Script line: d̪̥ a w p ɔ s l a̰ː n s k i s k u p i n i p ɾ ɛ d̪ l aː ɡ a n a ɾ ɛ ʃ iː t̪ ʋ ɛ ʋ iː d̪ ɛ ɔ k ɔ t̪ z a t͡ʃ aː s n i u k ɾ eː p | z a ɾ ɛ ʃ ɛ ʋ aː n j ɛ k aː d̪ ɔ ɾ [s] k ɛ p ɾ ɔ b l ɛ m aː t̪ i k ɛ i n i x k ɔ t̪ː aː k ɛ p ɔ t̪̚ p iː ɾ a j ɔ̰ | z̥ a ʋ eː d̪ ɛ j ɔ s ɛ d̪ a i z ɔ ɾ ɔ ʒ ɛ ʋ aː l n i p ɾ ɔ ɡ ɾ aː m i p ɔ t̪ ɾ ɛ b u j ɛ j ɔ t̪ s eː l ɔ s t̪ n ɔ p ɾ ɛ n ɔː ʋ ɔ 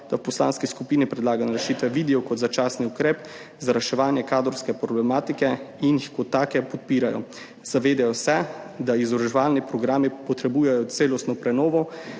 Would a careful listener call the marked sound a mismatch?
no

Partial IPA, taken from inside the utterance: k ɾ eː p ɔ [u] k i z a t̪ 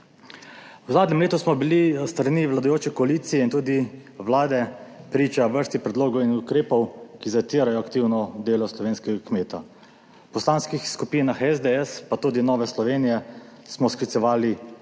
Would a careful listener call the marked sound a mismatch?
yes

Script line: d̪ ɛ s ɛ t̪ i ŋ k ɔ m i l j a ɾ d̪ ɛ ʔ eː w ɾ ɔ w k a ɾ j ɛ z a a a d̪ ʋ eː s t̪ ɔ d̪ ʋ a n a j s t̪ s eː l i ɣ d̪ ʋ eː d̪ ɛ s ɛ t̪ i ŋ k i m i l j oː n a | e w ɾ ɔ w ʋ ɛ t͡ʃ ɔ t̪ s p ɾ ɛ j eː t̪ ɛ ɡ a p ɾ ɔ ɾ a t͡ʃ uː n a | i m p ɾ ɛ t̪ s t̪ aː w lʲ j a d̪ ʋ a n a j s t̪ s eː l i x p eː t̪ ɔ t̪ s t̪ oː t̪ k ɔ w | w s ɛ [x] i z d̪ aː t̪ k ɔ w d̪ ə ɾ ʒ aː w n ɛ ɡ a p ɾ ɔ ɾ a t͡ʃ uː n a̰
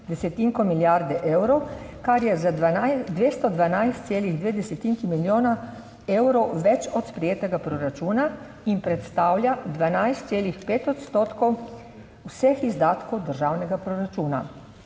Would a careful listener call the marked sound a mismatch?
no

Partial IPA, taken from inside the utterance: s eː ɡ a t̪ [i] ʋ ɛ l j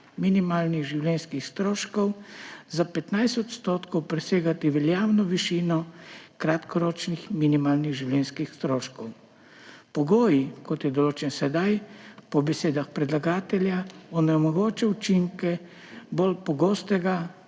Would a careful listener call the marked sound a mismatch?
no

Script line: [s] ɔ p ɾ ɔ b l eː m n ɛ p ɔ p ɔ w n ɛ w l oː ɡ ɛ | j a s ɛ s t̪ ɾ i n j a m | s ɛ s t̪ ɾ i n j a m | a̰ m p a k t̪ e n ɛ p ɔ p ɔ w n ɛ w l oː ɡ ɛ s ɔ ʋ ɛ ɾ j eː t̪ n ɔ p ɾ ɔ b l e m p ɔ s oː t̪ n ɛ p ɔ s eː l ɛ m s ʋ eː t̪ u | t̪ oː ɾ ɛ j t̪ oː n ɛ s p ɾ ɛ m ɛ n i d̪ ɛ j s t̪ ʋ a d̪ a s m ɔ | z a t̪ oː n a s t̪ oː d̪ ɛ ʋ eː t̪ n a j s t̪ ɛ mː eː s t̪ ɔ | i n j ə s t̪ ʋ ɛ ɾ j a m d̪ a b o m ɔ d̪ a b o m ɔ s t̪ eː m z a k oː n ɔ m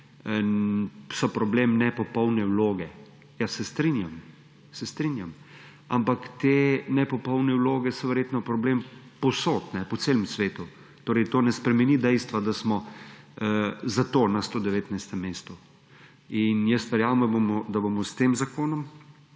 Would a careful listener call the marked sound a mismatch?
no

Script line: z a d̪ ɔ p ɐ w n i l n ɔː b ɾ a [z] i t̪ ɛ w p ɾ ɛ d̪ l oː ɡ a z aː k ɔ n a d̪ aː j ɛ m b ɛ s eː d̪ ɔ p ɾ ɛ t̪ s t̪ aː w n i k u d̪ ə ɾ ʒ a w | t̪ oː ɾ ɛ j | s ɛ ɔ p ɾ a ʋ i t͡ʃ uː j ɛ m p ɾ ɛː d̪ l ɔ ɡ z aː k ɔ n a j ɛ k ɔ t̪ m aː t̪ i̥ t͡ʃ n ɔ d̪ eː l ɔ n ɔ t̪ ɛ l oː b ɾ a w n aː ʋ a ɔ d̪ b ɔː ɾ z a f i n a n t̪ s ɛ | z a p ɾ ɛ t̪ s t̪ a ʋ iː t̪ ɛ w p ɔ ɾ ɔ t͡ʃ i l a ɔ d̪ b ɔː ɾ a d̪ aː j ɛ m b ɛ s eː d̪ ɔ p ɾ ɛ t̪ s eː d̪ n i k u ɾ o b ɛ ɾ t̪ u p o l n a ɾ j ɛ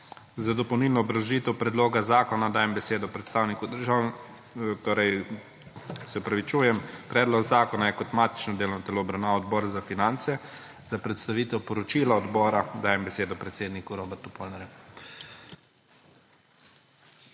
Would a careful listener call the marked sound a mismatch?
yes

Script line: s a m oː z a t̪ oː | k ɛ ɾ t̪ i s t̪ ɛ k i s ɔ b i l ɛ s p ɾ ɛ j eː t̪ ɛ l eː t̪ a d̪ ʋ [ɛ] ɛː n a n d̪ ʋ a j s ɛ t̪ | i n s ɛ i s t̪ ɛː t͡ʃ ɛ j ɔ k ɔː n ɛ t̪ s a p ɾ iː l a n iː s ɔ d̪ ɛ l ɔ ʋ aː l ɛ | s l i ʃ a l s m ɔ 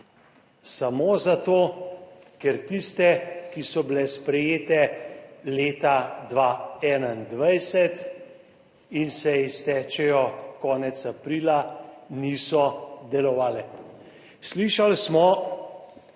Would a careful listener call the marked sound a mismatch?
yes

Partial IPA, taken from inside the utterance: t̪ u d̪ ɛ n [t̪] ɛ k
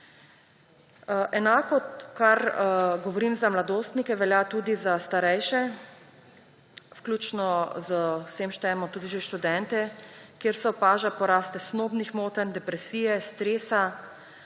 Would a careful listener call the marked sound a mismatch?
no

